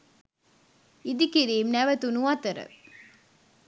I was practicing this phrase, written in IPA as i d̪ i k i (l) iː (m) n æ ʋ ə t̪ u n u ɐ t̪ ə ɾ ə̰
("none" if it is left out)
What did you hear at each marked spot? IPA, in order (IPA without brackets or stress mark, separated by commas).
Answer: ɾ, m